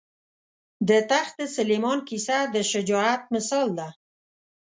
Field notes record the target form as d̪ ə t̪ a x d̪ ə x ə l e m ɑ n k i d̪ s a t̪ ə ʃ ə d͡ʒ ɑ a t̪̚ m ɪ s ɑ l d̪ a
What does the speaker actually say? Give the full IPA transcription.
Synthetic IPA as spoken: d̪ ə t̪ a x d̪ ə s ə l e m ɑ n k i s a d̪ ə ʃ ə d͡ʒ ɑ a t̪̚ m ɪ s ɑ l d̪ a